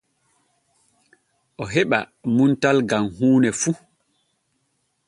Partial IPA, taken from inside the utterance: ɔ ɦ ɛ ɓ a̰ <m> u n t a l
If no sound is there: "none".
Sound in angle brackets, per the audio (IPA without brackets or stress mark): m